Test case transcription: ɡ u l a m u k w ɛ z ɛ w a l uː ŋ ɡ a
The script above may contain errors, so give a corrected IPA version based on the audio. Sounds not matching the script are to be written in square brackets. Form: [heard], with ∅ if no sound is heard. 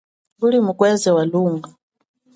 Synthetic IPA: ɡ u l [i] m u k w ɛ z ɛ w a l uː ŋ ɡ a